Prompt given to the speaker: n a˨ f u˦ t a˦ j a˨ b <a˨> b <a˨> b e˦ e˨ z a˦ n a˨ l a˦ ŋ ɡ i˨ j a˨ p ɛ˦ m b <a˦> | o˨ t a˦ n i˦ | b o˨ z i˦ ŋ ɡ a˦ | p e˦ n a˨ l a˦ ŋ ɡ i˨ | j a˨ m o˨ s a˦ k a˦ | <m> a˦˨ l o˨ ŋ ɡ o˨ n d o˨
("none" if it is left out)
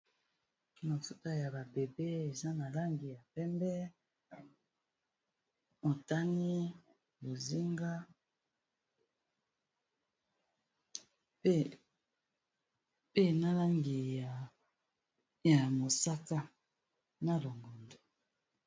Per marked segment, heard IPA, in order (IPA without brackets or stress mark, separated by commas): a˨, e˨, ɛ˦, n